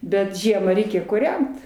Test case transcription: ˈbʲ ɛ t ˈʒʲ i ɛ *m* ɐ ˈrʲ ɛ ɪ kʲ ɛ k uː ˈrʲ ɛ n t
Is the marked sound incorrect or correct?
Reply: correct